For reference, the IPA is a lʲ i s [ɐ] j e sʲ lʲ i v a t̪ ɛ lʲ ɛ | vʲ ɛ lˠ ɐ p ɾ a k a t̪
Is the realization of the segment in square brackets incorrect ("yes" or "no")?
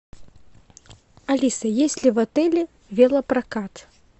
no